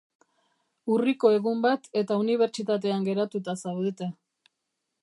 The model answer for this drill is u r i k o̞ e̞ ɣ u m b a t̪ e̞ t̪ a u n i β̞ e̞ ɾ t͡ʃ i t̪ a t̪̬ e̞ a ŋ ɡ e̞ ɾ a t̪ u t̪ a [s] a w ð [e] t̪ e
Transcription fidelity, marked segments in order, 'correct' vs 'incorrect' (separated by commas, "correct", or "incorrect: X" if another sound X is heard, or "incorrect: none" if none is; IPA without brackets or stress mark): correct, correct